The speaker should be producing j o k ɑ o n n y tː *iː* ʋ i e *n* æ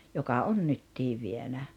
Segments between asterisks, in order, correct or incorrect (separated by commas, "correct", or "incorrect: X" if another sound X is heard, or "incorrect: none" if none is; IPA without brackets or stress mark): correct, correct